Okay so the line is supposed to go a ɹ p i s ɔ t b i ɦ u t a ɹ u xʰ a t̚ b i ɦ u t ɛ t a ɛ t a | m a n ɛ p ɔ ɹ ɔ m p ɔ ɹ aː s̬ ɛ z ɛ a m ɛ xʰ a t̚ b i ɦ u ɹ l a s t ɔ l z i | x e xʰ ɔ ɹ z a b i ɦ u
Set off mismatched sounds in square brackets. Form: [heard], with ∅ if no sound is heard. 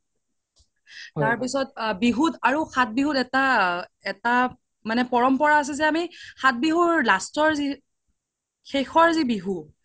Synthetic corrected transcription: a ɹ p i s ɔ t b i ɦ u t a ɹ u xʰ a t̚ b i ɦ u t ɛ t a ɛ t a | m a n ɛ p ɔ ɹ ɔ m p ɔ ɹ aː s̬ ɛ z ɛ a m [i] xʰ a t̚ b i ɦ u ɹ l a s t ɔ [ɹ] z i | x e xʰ ɔ ɹ z [i] b i ɦ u